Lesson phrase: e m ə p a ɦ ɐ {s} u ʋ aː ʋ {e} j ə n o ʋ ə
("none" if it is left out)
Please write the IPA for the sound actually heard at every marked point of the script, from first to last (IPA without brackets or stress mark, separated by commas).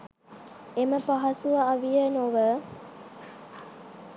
s, i